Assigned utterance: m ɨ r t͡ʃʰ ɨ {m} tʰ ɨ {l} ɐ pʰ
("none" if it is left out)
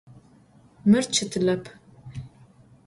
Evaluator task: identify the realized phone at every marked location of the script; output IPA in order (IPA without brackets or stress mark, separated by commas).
none, l